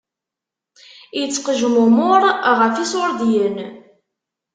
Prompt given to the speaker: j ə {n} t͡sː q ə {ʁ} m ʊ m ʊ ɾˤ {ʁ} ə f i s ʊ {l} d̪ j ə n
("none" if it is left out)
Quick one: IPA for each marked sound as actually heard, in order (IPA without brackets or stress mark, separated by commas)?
none, ʒ, ʁ, ɾ